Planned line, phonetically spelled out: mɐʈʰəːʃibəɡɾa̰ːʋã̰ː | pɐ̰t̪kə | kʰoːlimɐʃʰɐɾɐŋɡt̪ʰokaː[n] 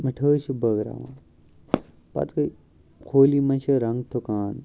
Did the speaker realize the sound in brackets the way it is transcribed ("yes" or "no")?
yes